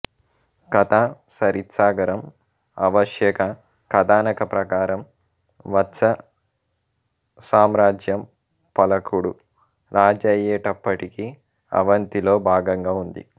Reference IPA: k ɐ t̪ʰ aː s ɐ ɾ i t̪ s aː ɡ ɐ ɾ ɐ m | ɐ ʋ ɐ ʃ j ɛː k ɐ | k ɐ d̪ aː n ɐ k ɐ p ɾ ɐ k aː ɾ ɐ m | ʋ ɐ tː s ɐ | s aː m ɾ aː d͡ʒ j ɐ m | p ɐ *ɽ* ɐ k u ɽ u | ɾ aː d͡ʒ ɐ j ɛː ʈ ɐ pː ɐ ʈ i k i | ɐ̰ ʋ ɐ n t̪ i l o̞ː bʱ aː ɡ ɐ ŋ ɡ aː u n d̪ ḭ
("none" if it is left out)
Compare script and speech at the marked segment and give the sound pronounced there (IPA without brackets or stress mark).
l